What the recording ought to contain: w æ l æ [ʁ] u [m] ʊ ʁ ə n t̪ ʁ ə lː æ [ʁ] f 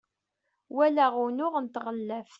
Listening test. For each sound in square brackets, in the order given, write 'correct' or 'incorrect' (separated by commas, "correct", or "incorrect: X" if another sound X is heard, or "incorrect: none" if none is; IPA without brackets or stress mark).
correct, incorrect: n, incorrect: none